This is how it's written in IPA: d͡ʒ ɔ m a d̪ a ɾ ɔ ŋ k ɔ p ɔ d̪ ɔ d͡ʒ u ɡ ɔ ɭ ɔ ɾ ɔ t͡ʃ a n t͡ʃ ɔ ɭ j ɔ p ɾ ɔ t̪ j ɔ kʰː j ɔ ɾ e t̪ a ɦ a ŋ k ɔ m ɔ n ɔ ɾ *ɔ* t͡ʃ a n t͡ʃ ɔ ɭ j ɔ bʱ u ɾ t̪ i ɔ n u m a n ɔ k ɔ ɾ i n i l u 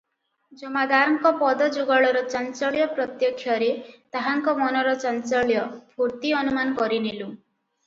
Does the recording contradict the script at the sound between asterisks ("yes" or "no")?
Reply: no